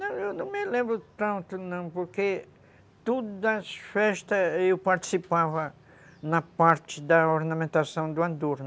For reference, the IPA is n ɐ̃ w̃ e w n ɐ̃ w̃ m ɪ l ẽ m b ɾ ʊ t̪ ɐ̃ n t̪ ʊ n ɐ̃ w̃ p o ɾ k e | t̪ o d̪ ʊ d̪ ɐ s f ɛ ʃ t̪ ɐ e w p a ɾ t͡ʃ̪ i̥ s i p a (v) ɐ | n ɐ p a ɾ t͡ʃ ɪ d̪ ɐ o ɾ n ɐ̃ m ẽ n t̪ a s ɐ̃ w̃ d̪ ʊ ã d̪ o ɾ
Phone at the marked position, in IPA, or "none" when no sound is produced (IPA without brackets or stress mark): v